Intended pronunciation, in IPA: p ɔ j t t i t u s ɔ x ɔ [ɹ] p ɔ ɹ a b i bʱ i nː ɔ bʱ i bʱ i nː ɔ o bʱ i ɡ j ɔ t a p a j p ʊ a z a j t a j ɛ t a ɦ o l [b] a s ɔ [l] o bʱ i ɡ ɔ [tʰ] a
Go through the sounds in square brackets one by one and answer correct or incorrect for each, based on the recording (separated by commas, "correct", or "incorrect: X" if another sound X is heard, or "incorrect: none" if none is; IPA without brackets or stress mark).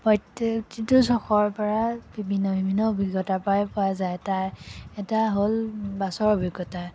correct, correct, incorrect: ɹ, incorrect: t